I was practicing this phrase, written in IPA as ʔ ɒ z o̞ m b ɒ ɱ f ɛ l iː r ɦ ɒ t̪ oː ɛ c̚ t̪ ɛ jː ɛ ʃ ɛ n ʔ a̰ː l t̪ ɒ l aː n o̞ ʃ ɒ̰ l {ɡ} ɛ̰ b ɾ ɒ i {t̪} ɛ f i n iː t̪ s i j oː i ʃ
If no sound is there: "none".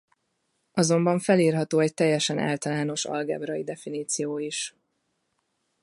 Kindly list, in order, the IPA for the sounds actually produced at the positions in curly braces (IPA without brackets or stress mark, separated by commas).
ɡ, d̪